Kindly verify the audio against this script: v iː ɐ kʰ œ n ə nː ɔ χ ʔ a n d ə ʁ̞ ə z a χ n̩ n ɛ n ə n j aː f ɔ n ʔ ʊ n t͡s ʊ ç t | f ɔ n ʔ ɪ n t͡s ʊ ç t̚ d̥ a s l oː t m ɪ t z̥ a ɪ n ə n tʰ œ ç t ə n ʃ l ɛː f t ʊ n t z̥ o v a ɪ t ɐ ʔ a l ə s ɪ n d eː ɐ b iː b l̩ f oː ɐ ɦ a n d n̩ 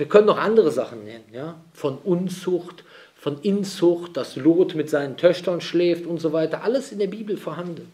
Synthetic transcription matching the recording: v iː ɐ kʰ œ n ə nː ɔ χ ʔ a n d ə ʁ̞ ə z a χ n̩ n ɛ n ə n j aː f ɔ n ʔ ʊ n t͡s ʊ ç t | f ɔ n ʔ ɪ n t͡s ʊ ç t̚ d̥ a s l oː t m ɪ t z̥ a ɪ n ə n tʰ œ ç t ɐ n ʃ l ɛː f t ʊ n t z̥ o v a ɪ t ɐ ʔ a l ə s ɪ n d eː ɐ b iː b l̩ f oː ɐ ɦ a n d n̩

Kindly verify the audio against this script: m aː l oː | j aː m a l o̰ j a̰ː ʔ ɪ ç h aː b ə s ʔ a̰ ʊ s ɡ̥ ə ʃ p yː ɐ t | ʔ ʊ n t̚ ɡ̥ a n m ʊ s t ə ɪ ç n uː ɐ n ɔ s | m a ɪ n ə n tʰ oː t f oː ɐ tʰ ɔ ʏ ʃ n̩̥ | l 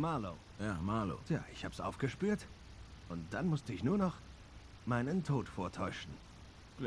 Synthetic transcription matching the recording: m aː l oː | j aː m a l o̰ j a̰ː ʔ ɪ ç h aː b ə s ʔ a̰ ʊ f ɡ̥ ə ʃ p yː ɐ t | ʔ ʊ n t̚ d̥ a n m ʊ s t ə ɪ ç n uː ɐ n ɔ χ | m a ɪ n ə n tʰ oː t f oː ɐ tʰ ɔ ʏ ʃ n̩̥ | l

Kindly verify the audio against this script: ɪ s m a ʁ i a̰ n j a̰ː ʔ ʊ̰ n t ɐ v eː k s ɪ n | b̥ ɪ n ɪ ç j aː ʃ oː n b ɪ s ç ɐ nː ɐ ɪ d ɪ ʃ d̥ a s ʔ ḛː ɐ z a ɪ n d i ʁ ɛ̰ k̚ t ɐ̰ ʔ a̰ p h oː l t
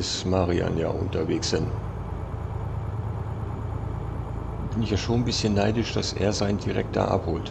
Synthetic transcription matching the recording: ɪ s m a ʁ i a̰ n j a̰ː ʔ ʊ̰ n t ɐ v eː k s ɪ n | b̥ ɪ n ɪ ç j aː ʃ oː n b ɪ s ç ə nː a ɪ d ɪ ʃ d̥ a s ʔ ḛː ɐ z a ɪ n d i ʁ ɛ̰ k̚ t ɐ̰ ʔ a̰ p h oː l t

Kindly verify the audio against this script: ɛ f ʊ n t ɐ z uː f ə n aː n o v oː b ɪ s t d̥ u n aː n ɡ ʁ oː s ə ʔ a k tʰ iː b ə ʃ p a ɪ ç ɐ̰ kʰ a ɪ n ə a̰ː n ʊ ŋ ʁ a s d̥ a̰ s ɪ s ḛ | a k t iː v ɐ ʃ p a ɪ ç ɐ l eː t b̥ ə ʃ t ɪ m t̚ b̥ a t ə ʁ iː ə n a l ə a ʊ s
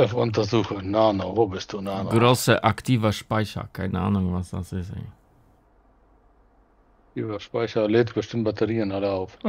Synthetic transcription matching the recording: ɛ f ʊ n t ɐ z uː x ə n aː n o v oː b ɪ s t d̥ u n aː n ɡ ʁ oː s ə ʔ a k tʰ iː v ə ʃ p a ɪ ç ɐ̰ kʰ a ɪ n ə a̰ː n ʊ ŋ v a s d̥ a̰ s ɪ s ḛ | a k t iː v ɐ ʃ p a ɪ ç ɐ l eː t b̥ ə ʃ t ɪ m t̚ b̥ a t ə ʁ iː ə n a l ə a ʊ f

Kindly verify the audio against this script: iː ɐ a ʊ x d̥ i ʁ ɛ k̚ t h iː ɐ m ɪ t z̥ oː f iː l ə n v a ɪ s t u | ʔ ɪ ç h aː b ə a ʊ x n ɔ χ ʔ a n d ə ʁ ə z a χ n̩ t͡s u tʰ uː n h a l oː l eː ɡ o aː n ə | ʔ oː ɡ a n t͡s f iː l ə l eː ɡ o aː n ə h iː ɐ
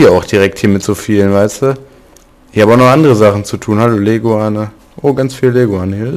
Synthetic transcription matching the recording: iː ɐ a ʊ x d̥ i ʁ ɛ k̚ t h iː ɐ m ɪ t z̥ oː f iː l ə n v a ɪ s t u | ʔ ɪ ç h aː b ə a ʊ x n ɔ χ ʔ a n d ə ʁ ə z a χ n̩ t͡s u tʰ uː n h a l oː l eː ɡ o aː n ə | ʔ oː ɡ a n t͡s f iː l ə l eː ɡ o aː n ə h iː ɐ

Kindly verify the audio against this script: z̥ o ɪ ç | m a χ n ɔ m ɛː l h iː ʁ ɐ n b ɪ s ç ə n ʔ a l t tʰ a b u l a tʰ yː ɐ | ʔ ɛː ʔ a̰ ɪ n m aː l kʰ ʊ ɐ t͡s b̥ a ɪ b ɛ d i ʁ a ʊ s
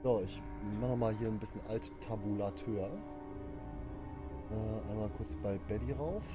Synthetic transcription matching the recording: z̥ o ɪ ç | m a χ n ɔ m aː l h iː ɐ n b ɪ s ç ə n ʔ a l t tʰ a b u l a tʰ øː ɐ | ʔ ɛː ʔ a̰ ɪ n m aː l kʰ ʊ ɐ t͡s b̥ a ɪ b ɛ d i ʁ a ʊ f

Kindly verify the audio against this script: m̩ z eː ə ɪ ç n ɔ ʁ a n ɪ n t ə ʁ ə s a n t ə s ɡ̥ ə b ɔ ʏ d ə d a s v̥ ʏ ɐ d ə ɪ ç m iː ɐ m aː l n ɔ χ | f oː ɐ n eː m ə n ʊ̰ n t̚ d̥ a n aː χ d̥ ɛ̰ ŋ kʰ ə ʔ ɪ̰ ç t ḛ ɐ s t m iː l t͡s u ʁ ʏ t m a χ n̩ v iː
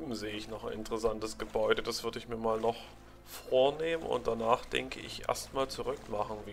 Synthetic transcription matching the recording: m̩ z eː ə ɪ ç n ɔ χ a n ɪ n t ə ʁ ə s a n t ə s ɡ̥ ə b ɔ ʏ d ə d a s v̥ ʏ ɐ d ə ɪ ç m iː ɐ m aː l n ɔ χ | f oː ɐ n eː m ə n ʊ̰ n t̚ d̥ a n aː χ d̥ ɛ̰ ŋ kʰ ə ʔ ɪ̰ ç ʔ ḛ ɐ s t m aː l t͡s u ʁ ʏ k m a χ n̩ v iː

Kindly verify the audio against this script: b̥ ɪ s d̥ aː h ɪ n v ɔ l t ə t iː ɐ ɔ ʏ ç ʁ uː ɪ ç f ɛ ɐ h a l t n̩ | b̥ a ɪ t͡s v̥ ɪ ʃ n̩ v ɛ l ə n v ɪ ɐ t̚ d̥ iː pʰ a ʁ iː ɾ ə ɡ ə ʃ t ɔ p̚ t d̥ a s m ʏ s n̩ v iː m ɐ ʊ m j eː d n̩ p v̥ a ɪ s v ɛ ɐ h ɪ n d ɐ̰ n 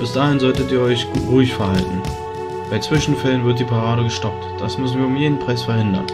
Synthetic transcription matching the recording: b̥ ɪ s d̥ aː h ɪ n z ɔ l t ə t iː ɐ ɔ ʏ ç ʁ uː ɪ ç f ɛ ɐ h a l t n̩ | b̥ a ɪ t͡s v̥ ɪ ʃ n̩ f ɛ l ə n v ɪ ɐ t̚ d̥ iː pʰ a ʁ aː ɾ ə ɡ ə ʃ t ɔ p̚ t d̥ a s m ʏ s n̩ v iː ɐ ʊ m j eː d n̩ p ʁ̥ a ɪ s f ɛ ɐ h ɪ n d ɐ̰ n

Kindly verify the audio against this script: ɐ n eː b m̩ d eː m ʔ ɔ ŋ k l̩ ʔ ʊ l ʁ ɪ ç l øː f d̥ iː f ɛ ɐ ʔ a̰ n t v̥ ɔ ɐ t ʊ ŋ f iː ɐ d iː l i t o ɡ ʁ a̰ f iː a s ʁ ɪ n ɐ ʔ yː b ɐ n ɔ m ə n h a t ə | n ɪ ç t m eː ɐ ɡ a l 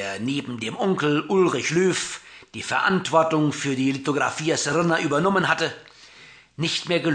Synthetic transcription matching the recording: ɐ n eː b m̩ d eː m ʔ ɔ ŋ k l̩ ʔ ʊ l ʁ ɪ ç l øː f d̥ iː f ɛ ɐ ʔ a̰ n t v̥ ɔ ɐ t ʊ ŋ f yː ɐ d iː l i t o ɡ ʁ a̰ f iː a s ʁ ɪ n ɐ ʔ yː b ɐ n ɔ m ə n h a t ə | n ɪ ç t m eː ɐ ɡ ə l

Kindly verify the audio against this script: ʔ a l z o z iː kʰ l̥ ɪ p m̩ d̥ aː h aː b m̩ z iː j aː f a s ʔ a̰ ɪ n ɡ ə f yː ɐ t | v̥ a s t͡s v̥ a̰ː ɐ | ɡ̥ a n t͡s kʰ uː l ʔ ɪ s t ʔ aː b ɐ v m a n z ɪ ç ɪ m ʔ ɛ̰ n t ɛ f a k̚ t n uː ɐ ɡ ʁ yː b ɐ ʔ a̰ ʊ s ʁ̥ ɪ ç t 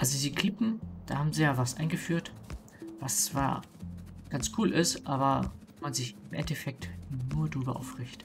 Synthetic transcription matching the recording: ʔ a l z o z iː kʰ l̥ ɪ p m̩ d̥ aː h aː b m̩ z iː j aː v a s ʔ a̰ ɪ n ɡ ə f yː ɐ t | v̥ a s t͡s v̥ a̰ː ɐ | ɡ̥ a n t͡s kʰ uː l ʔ ɪ s t ʔ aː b ɐ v m a n z ɪ ç ɪ m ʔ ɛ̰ n t ɛ f ɛ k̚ t n uː ɐ d ʁ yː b ɐ ʔ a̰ ʊ f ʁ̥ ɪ ç t

